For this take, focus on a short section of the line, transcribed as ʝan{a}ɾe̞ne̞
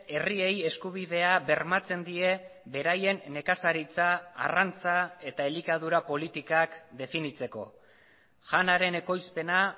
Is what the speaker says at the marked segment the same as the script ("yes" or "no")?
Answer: yes